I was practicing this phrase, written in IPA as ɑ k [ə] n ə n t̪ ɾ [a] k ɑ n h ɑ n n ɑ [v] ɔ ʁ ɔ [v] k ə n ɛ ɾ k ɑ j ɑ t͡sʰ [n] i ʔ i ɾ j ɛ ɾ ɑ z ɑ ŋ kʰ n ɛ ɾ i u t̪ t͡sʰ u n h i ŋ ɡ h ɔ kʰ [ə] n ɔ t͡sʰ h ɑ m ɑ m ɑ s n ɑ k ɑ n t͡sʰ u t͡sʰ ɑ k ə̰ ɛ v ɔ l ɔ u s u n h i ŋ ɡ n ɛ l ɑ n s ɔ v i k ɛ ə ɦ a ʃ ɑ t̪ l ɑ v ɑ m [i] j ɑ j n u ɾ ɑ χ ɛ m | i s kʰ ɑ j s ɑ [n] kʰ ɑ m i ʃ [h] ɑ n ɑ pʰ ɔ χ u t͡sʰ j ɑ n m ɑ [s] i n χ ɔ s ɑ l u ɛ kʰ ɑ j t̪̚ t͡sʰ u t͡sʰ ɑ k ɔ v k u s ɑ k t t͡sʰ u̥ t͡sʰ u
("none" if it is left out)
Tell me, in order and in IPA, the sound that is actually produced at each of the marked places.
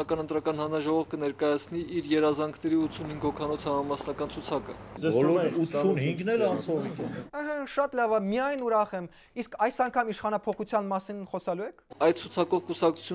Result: ɑ, ɑ, ʒ, v, n, ɑ, i, ŋ, χ, s

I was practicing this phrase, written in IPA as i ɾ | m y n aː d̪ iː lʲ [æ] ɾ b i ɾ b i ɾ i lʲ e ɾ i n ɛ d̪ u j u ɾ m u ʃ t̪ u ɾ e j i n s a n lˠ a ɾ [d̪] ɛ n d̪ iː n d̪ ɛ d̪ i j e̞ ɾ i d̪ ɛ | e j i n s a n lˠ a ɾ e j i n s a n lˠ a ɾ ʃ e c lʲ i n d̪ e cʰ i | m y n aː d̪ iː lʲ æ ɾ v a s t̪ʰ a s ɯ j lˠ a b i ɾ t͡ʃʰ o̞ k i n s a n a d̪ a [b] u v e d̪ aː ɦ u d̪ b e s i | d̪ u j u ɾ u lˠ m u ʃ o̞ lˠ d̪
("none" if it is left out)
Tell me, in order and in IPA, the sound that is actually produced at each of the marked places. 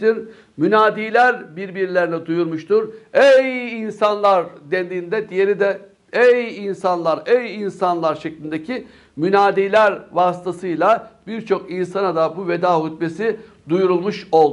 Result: æ, d̪, b

